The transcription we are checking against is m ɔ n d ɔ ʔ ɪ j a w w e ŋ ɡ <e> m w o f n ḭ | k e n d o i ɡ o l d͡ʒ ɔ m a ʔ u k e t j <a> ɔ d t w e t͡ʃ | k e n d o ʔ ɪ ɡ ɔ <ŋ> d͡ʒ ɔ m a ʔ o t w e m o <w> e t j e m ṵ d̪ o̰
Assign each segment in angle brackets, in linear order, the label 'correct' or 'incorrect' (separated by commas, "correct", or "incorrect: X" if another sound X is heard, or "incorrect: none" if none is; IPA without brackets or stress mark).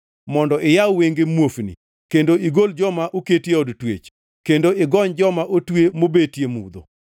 correct, incorrect: e, incorrect: ɲ, incorrect: b